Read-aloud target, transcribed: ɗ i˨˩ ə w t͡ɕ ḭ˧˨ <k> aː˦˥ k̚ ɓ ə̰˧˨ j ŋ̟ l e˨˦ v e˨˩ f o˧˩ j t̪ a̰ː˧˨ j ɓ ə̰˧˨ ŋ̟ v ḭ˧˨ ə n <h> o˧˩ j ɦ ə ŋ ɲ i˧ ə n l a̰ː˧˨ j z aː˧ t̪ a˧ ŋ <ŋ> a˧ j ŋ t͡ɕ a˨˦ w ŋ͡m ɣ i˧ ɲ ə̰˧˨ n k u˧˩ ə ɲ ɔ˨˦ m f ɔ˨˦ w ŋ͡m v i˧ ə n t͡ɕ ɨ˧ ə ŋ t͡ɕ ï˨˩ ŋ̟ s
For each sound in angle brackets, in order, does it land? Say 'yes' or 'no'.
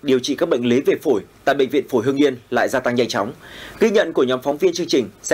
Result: yes, no, no

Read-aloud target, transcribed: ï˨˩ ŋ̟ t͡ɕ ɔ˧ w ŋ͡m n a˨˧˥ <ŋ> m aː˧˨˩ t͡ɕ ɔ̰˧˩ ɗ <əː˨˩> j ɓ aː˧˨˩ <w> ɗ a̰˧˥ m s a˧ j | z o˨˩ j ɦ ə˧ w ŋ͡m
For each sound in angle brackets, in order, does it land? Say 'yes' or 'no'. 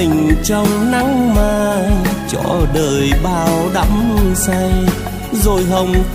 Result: yes, yes, yes

